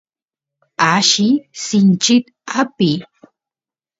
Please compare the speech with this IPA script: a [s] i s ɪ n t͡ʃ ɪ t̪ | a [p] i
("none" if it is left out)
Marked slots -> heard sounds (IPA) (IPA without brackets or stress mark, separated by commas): ʃ, p